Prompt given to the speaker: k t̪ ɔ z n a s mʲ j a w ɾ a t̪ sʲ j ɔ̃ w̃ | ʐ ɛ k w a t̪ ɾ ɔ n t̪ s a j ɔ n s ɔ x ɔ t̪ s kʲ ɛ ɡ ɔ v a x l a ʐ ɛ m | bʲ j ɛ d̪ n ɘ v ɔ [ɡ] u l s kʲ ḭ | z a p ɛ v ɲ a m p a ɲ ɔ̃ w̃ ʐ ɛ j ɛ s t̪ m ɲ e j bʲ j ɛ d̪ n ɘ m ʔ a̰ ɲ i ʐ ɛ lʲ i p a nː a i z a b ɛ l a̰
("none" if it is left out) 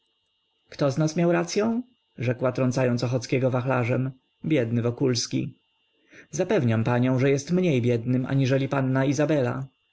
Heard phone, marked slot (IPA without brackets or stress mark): k